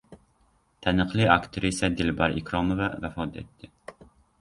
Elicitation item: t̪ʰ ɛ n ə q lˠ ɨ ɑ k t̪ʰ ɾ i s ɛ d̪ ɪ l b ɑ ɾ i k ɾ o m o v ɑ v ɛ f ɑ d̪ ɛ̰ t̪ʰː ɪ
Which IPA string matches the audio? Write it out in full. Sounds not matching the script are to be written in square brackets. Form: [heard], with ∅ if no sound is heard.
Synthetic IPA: t̪ʰ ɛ n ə q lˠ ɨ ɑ k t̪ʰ ɾ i s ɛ d̪ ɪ l b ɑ ɾ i k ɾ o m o v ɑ v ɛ f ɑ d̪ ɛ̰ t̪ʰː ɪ